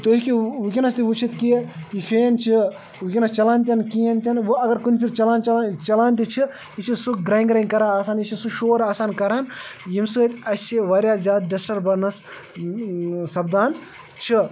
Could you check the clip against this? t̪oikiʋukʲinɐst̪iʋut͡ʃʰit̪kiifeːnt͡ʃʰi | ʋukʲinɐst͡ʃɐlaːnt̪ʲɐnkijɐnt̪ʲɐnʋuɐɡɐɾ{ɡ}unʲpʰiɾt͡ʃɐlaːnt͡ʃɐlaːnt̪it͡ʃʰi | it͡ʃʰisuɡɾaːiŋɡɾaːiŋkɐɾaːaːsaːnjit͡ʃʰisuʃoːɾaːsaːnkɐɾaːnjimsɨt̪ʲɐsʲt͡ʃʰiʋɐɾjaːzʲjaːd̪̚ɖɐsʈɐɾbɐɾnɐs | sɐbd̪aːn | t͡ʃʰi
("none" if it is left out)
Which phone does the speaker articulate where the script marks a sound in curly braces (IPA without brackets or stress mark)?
k